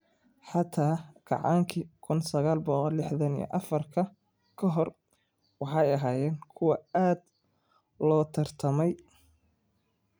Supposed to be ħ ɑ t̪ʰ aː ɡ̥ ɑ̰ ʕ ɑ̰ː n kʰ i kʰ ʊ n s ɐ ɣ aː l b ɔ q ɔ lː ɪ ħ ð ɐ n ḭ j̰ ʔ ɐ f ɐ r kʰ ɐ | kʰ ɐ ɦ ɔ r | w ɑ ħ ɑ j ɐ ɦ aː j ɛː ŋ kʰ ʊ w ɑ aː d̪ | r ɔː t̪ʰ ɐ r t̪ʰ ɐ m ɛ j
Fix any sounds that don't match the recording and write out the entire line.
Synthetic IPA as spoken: ħ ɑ t̪ʰ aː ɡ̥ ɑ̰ ʕ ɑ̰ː ŋ kʰ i kʰ ʊ n s ɐ ɣ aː l b ɔ q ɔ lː ɪ ħ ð ɐ n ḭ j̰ ʔ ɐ f ɐ r kʰ ɐ | kʰ ɐ ɦ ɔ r | w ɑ ħ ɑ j ɐ ɦ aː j ɛː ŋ kʰ ʊ w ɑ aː d̪ | l ɔː t̪ʰ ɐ r t̪ʰ ɐ m ɛ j

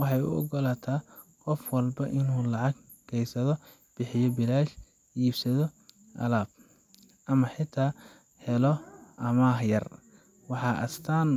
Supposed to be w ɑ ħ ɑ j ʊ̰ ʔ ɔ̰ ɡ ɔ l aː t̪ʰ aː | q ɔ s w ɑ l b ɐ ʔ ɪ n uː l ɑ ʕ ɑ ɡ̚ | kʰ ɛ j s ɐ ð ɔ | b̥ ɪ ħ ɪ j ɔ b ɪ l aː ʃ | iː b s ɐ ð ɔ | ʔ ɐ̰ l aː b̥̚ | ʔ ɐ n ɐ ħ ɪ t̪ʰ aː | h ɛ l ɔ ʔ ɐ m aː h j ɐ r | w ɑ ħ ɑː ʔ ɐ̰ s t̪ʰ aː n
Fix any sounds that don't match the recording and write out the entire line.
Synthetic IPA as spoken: w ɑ ħ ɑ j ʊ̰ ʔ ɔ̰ ɡ ɔ l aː t̪ʰ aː | q ɔ f w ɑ l b ɐ ʔ ɪ n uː l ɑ ʕ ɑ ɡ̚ | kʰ ɛ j s ɐ ð ɔ | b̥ ɪ ħ ɪ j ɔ b ɪ l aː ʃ | iː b s ɐ ð ɔ | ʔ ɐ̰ l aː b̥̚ | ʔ ɐ m ɐ ħ ɪ t̪ʰ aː | h ɛ l ɔ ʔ ɐ m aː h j ɐ r | w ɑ ħ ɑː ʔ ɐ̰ s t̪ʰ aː n

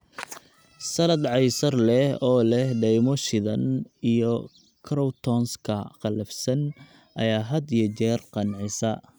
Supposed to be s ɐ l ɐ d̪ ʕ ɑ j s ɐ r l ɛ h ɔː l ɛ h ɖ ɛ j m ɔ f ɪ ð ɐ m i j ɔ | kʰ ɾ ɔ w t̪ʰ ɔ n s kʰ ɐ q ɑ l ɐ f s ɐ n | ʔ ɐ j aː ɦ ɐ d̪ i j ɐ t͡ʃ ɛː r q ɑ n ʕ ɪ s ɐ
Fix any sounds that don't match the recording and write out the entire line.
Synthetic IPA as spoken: s ɐ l ɐ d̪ ʕ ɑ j s ɐ r l ɛ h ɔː l ɛ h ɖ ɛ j m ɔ ʃ ɪ ð ɐ n i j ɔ | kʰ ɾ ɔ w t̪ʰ ɔ n s kʰ ɐ q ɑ l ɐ f s ɐ n | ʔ ɐ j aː ɦ ɐ d̪ i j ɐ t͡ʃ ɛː r q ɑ n ʕ ɪ s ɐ

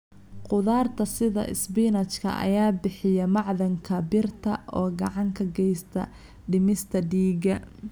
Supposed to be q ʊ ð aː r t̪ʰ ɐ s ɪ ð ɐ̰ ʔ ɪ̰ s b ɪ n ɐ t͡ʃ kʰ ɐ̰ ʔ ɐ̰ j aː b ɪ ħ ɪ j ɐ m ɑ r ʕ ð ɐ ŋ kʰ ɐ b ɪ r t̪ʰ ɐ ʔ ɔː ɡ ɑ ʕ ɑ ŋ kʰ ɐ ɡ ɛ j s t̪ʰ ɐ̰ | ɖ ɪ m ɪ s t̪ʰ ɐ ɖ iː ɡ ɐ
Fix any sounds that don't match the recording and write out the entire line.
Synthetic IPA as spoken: q ʊ ð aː r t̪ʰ ɐ s ɪ ð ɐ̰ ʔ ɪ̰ s b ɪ n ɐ t͡ʃ kʰ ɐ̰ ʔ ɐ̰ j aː b ɪ ħ ɪ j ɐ m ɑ ʕ ð ɐ ŋ kʰ ɐ b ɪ r t̪ʰ ɐ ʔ ɔː ɡ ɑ ʕ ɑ ŋ kʰ ɐ ɡ ɛ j s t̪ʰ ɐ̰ | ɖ ɪ m ɪ s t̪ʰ ɐ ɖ iː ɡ ɐ

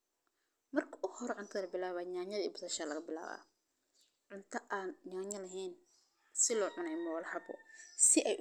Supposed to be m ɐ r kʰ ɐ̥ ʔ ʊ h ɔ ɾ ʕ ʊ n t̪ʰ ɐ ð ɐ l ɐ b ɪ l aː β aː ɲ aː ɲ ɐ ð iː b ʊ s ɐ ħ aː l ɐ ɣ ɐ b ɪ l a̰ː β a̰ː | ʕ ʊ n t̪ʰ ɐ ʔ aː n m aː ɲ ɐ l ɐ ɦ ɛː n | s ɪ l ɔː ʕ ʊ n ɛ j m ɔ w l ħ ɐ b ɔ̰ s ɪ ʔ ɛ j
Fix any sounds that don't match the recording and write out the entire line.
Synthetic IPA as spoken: m ɐ r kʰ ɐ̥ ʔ ʊ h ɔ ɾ ʕ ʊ n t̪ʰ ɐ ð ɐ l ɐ b ɪ l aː β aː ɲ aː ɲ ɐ ð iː b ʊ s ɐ ʃ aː l ɐ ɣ ɐ b ɪ l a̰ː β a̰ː | ʕ ʊ n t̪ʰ ɐ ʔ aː n ɲ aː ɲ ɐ l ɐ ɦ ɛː n | s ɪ l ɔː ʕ ʊ n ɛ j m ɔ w l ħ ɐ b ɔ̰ s ɪ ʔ ɛ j

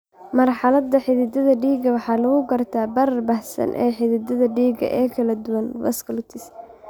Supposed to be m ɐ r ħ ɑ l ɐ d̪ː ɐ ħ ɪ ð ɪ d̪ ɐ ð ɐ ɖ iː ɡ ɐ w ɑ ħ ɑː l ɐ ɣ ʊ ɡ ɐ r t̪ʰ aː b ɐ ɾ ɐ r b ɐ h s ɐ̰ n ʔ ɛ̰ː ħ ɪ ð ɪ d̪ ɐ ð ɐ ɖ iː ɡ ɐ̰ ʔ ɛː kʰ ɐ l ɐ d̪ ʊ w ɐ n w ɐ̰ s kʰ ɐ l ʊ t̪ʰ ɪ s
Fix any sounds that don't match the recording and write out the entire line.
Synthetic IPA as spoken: m ɐ r ħ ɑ l ɐ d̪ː ɐ ħ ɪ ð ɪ d̪ ɐ ð ɐ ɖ iː ɡ ɐ w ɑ ħ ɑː l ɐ ɣ ʊ ɡ ɐ r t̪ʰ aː b ɐ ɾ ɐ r b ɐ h s ɐ̰ n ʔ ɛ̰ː ħ ɪ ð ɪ d̪ ɐ ð ɐ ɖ iː ɡ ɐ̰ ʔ ɛː kʰ ɐ l ɐ d̪ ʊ w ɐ n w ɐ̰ s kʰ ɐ l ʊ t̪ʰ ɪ s

